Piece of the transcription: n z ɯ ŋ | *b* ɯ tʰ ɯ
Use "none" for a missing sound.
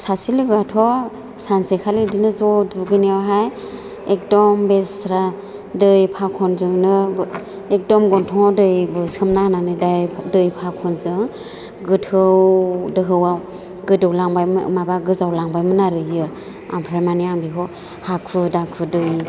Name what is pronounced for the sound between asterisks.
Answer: ɡ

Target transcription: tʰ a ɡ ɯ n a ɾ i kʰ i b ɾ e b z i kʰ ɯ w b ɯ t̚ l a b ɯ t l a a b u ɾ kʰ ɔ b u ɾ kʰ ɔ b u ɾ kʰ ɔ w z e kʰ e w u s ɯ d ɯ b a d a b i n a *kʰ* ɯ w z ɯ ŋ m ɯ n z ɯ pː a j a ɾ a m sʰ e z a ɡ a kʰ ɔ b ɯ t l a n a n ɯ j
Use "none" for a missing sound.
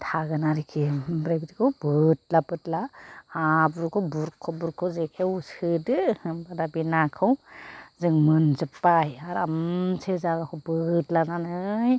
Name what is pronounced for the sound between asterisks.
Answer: kʰ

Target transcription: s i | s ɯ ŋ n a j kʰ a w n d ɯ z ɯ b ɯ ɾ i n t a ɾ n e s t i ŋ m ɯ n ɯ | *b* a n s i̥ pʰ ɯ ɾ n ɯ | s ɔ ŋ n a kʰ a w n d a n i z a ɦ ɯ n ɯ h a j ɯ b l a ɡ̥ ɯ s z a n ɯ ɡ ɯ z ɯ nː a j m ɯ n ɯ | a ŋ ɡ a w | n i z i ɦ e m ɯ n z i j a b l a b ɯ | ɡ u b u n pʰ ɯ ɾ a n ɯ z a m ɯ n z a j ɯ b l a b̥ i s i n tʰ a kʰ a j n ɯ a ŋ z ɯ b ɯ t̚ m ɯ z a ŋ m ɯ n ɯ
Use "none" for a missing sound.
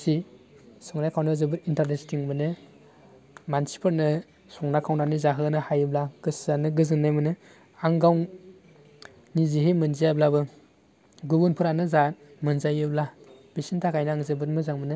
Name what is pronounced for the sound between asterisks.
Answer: m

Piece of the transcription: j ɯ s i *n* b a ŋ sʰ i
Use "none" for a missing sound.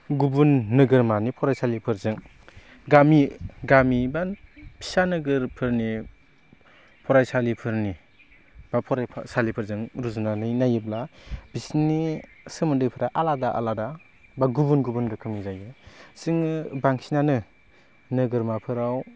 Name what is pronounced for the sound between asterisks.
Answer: ŋ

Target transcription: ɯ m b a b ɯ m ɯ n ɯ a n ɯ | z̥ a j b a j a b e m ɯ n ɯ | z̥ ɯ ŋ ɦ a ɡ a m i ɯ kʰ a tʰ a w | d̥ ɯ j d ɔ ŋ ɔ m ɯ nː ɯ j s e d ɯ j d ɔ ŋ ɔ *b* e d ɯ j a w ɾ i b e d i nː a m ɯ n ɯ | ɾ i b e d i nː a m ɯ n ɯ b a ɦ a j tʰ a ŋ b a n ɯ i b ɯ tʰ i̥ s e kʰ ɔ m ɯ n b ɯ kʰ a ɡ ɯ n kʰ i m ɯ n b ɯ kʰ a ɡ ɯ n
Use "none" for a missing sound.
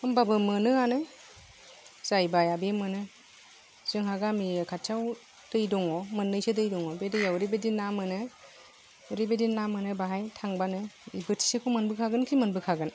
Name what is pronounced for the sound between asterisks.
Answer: b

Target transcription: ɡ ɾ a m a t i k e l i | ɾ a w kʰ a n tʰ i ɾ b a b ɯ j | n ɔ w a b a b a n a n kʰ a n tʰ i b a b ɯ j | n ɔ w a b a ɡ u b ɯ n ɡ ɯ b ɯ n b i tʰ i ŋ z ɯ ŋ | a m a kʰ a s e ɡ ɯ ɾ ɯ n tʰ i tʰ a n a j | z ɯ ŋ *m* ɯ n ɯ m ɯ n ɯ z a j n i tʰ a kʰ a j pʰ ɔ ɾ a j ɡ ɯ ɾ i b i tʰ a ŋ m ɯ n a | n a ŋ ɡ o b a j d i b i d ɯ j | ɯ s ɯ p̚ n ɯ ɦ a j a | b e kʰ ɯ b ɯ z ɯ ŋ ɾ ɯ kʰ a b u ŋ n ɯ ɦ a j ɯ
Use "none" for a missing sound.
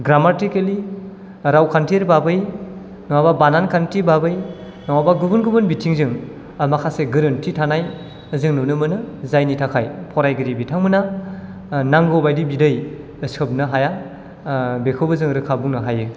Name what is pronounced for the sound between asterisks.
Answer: n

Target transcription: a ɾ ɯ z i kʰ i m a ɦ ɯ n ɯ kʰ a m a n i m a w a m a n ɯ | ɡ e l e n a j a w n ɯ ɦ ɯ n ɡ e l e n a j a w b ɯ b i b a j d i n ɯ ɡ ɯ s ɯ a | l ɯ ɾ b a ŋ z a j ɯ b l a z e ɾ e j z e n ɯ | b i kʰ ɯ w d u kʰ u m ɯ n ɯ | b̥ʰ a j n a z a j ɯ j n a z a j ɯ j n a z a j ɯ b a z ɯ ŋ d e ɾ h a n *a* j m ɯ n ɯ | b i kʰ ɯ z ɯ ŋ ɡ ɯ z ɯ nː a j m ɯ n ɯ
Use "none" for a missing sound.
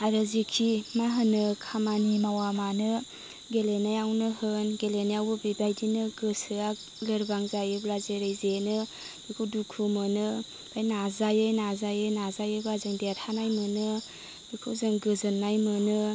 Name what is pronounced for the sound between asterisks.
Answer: a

